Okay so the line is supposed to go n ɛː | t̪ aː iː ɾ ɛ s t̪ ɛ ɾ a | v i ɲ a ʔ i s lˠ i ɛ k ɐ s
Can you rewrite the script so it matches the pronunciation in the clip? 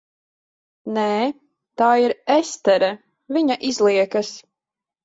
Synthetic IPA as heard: n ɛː | t̪ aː i ɾ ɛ s t̪ ɛ ɾ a | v i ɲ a ʔ i z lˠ i ɛ k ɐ s